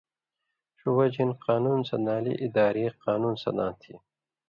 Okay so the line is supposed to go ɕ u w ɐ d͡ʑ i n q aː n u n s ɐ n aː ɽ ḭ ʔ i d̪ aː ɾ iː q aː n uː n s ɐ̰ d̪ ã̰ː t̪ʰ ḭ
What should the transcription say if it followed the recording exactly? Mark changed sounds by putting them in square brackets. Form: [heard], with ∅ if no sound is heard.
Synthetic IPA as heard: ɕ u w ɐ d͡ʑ i n q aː n u n s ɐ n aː [l] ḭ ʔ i d̪ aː ɾ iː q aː n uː n s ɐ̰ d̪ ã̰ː t̪ʰ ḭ